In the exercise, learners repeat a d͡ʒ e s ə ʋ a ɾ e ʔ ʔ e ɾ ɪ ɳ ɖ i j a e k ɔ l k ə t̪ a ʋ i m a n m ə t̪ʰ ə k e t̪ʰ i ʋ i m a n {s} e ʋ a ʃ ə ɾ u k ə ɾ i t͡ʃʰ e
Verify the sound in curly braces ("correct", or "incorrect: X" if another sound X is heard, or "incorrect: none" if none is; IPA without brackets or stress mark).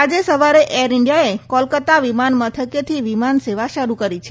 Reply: correct